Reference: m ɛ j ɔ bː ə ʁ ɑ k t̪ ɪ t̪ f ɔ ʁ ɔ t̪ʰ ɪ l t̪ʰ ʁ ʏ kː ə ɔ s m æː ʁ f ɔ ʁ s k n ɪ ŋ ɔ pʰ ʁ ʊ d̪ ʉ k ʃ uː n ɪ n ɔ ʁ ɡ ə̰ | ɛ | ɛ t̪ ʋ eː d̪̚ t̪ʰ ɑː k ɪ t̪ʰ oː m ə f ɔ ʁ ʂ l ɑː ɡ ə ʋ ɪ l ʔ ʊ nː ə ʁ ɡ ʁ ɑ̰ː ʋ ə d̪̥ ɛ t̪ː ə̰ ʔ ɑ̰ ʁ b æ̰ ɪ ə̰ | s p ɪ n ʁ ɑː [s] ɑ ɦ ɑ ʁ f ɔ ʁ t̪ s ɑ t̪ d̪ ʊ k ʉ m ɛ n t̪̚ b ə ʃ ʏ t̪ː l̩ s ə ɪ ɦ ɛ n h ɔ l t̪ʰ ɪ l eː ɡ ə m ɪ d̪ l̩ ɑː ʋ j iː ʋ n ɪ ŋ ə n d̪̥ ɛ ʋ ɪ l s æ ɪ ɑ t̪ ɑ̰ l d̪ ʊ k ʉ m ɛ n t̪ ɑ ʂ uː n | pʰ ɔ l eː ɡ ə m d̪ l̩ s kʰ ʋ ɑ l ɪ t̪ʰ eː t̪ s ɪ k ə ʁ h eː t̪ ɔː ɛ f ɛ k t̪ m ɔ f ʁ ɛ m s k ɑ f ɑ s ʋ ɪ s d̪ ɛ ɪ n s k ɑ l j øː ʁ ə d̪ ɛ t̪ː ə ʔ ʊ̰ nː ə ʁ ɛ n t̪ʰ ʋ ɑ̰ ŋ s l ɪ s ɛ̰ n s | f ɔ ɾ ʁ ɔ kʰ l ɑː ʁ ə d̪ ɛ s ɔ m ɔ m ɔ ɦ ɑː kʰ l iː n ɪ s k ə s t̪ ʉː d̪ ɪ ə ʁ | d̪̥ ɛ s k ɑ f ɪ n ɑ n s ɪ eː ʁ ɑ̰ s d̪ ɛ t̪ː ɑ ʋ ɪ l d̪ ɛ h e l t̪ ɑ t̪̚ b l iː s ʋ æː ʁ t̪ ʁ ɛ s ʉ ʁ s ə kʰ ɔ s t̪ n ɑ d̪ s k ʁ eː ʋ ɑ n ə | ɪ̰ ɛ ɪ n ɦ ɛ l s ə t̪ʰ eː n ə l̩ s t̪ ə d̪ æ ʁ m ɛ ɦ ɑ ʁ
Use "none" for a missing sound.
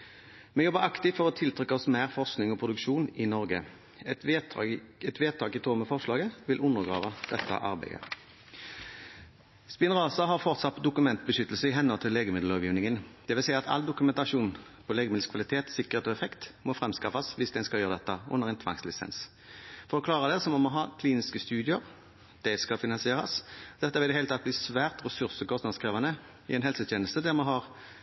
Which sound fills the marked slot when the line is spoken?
s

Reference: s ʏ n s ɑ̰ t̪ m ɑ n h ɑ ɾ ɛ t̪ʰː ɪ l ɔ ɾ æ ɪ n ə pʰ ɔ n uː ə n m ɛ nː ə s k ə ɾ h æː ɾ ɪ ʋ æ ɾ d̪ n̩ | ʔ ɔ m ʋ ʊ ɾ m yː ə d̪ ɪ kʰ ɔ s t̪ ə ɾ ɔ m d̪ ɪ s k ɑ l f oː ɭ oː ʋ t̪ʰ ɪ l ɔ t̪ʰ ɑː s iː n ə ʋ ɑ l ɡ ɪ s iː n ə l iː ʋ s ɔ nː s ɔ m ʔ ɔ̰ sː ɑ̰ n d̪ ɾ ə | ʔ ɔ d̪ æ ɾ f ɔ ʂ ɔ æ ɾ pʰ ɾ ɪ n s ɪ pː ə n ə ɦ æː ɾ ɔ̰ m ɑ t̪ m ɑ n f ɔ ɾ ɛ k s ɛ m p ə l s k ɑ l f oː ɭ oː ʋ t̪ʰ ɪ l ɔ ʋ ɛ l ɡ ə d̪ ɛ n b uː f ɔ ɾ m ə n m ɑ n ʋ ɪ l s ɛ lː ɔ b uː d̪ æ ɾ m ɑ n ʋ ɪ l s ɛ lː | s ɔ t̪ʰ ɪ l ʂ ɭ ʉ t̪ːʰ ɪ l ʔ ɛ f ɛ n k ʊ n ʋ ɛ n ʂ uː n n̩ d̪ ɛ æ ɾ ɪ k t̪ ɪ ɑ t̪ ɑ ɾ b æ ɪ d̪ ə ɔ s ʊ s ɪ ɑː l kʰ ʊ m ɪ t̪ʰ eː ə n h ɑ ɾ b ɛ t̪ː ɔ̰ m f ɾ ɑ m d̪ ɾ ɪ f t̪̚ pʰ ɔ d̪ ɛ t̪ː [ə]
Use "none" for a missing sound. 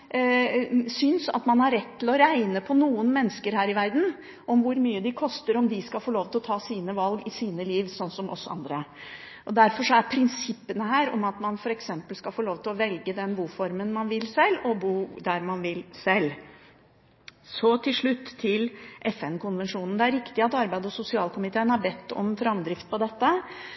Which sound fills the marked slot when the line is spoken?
ə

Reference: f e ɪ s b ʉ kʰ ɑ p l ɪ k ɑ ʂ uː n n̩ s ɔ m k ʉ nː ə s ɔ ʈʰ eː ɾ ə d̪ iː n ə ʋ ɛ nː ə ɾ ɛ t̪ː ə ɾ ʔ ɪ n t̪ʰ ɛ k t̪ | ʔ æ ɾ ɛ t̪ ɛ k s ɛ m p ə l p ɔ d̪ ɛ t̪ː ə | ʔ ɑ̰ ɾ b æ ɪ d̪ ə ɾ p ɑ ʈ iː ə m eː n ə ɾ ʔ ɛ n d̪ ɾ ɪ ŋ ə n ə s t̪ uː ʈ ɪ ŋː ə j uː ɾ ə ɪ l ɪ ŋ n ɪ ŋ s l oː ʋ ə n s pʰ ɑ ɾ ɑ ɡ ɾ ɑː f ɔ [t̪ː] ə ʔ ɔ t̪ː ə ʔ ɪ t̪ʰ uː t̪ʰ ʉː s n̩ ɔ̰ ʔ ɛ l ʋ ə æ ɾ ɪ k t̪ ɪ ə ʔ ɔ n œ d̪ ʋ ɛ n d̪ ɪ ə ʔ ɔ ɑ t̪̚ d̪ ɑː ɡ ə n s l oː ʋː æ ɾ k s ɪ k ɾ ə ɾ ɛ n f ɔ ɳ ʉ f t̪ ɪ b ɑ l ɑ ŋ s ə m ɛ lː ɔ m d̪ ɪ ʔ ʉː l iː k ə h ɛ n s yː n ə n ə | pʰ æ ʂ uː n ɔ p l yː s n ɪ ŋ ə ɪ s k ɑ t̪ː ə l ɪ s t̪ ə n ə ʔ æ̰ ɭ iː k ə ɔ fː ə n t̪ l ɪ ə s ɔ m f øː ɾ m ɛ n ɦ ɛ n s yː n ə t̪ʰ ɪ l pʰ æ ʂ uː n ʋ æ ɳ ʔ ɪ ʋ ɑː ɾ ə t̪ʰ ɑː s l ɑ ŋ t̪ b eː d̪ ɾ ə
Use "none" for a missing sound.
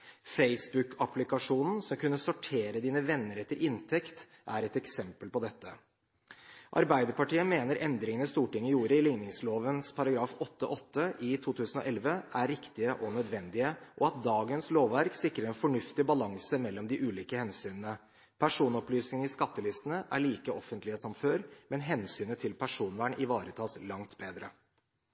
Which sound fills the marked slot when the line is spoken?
t̪ː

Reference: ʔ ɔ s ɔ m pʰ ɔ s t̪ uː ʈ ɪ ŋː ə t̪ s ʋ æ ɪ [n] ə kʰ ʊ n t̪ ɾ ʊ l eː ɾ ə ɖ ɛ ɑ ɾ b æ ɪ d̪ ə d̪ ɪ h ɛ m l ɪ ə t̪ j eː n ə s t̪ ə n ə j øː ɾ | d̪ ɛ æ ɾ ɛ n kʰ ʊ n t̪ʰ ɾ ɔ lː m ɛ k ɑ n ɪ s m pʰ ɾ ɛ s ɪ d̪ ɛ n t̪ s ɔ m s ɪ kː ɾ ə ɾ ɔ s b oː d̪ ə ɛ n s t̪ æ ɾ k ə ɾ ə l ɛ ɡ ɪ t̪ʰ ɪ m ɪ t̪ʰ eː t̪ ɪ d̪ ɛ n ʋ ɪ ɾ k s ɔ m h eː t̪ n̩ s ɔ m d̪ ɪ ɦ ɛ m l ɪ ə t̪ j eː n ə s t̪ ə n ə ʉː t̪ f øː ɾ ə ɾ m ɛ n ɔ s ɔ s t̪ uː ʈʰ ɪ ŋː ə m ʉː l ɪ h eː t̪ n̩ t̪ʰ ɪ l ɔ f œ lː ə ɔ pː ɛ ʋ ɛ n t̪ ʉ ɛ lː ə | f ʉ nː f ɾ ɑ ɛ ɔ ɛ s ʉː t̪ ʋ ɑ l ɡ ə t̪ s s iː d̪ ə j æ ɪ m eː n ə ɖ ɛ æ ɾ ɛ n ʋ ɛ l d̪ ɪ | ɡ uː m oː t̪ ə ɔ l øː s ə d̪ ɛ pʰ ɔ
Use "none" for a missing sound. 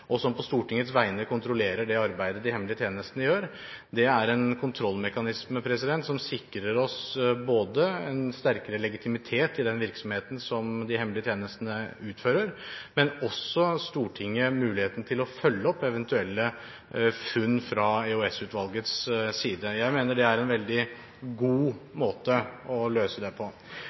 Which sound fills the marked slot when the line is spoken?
n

